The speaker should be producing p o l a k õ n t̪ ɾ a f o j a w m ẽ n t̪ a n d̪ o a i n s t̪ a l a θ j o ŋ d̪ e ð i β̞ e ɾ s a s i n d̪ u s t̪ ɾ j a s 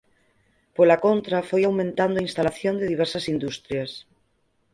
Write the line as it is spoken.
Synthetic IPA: p o l a k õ n t̪ ɾ a f o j a w m ẽ n t̪ a n d̪ o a i n s t̪ a l a θ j o n d̪ e ð i β̞ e ɾ s a s i n d̪ u s t̪ ɾ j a s